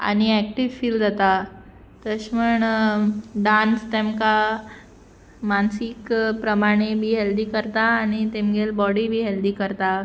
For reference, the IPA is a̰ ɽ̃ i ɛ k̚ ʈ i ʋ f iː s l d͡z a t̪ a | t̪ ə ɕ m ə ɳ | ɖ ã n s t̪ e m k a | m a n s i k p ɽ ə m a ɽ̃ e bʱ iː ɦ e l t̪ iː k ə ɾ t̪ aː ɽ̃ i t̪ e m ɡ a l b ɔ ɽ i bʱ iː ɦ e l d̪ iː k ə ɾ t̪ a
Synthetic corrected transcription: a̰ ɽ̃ i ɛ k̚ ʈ i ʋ f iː l d͡z a t̪ a | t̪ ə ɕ m ə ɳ | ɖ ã n s t̪ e m k a | m a n s i k p ɾ ə m a ɽ̃ e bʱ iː ɦ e l d̪ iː k ə ɾ t̪ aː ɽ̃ i t̪ e m ɡ e l b ɔ ɽ i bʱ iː ɦ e l d̪ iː k ə ɾ t̪ a